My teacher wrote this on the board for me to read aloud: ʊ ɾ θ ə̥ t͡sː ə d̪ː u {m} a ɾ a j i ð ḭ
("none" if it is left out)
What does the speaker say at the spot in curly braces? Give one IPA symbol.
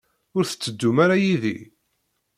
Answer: m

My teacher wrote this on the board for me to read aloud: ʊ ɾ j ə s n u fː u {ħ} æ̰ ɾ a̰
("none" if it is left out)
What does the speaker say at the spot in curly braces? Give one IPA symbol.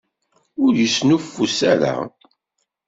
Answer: s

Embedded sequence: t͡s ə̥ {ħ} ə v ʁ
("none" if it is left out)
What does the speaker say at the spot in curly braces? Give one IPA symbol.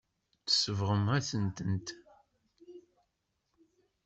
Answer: s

